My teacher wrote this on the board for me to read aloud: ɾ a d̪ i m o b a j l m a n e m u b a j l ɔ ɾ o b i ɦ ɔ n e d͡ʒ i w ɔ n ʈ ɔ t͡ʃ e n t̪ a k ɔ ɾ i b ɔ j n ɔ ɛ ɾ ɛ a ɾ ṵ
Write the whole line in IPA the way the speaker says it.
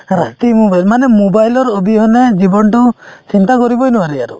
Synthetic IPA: ɾ a t̪ i m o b a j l m a n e m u b a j l ɔ ɾ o b i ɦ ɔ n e d͡ʒ i b ɔ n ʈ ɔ t͡ʃ i n t̪ a k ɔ ɾ i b ɔ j n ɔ a ɾ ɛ a ɾ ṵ